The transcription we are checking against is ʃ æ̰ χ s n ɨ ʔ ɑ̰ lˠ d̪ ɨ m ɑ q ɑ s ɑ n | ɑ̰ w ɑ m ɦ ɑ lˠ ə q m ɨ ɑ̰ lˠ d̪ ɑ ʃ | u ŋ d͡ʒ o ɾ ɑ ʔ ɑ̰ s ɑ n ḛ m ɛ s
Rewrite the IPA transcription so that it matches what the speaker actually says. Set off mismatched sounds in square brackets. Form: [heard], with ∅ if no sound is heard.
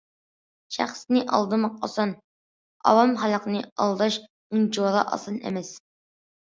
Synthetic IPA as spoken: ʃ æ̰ χ s n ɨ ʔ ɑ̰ lˠ d̪ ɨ m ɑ q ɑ s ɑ n | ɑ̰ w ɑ m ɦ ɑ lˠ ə q [n] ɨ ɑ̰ lˠ d̪ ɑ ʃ | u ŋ d͡ʒ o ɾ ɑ ʔ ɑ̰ s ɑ n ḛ m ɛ s

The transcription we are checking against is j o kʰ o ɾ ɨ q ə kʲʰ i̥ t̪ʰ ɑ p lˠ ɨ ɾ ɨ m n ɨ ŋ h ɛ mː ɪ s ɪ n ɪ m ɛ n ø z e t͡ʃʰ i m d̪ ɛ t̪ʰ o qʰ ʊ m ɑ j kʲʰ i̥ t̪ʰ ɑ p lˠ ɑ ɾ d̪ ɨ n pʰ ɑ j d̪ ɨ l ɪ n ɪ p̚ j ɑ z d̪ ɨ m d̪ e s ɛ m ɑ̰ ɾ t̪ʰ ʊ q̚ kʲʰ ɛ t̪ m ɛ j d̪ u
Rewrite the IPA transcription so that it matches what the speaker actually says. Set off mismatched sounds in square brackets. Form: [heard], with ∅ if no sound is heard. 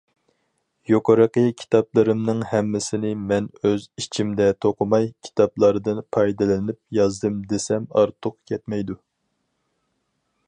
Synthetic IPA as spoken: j o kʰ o ɾ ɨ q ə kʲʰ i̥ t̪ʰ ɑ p lˠ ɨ ɾ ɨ m n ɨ ŋ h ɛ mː ɪ s ɪ n ɪ m ɛ n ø z [i] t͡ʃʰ i m d̪ ɛ t̪ʰ o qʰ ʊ m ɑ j kʲʰ i̥ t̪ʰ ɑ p lˠ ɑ ɾ d̪ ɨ n pʰ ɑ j d̪ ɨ l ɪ n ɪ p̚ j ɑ z d̪ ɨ m d̪ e s ɛ m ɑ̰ ɾ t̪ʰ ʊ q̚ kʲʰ ɛ t̪ m ɛ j d̪ u

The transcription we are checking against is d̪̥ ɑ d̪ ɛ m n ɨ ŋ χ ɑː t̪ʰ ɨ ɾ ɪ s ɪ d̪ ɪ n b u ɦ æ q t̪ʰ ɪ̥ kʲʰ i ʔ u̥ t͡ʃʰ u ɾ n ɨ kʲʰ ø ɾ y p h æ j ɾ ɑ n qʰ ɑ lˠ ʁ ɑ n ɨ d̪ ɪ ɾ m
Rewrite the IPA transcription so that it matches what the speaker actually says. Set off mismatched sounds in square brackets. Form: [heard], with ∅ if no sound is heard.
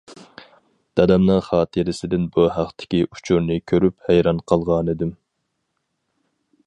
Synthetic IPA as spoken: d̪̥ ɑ d̪ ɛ m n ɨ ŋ χ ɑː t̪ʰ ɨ ɾ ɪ s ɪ d̪ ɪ n b u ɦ æ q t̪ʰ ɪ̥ [kʲ] i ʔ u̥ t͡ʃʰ u ɾ n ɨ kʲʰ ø ɾ y p h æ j ɾ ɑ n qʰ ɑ lˠ ʁ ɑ n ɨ d̪ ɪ [∅] m

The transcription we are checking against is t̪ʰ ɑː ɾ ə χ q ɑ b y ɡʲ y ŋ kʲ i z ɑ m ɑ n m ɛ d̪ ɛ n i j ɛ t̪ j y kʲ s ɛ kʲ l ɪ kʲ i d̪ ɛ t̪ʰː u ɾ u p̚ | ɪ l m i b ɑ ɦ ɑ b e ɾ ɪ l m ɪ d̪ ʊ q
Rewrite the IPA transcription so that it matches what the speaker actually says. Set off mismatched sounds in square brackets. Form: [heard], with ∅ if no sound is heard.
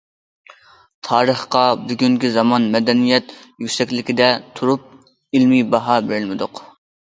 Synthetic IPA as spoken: t̪ʰ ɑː ɾ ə χ q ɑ b y ɡʲ y ŋ kʲ i z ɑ m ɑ n m ɛ d̪ ɛ n i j ɛ t̪ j y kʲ s ɛ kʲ l ɪ kʲ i d̪ ɛ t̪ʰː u ɾ u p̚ | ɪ l m i b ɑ ɦ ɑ b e ɾ ɪ l m ɪ d̪ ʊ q

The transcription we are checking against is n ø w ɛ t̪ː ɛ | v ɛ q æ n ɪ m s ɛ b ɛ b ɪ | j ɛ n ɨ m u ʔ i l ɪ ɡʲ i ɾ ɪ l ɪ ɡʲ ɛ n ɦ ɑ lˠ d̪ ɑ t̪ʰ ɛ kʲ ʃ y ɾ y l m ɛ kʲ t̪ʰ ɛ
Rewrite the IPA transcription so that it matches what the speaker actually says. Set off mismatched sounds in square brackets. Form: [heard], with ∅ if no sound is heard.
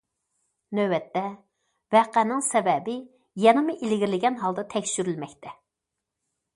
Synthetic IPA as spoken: n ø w ɛ t̪ː ɛ | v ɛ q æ n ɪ [ŋ] s ɛ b ɛ b ɪ | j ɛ n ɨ m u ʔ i l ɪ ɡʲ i ɾ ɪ l ɪ ɡʲ ɛ n ɦ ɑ lˠ d̪ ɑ t̪ʰ ɛ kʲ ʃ y ɾ y l m ɛ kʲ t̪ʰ ɛ

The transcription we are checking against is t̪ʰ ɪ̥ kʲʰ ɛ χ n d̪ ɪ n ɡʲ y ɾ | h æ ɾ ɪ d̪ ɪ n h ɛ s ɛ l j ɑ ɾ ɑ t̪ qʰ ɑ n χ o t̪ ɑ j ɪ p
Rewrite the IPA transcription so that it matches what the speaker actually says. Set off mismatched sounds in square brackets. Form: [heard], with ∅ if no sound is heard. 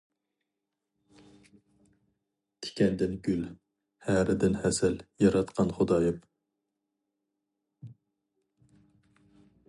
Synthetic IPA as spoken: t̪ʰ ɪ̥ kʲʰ ɛ [∅] n d̪ ɪ n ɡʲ y [l] | h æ ɾ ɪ d̪ ɪ n h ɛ s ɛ l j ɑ ɾ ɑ t̪ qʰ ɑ n χ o [d̪] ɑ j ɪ p

